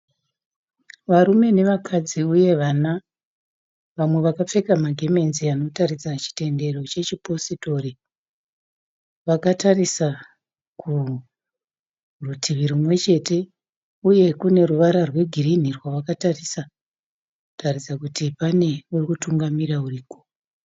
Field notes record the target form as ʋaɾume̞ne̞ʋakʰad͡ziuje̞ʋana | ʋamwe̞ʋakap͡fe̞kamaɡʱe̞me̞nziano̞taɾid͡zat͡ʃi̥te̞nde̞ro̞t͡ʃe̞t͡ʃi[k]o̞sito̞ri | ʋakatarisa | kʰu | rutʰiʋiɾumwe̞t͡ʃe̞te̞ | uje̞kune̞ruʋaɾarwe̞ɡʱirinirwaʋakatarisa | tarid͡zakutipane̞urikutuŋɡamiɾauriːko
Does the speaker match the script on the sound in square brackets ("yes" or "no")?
no